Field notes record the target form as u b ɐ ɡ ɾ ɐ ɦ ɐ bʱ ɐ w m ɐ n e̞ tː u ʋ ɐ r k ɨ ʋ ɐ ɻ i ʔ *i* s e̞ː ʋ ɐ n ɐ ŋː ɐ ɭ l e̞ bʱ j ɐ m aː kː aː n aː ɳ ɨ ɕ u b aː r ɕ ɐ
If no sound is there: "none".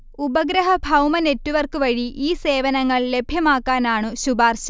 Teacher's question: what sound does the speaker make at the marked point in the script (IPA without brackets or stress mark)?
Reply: iː